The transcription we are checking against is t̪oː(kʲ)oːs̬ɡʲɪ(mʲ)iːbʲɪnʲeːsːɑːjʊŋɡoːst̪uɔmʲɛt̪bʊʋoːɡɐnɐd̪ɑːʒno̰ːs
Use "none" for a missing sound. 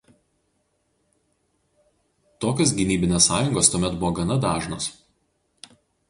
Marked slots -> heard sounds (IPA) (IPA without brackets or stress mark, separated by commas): kʲ, nʲ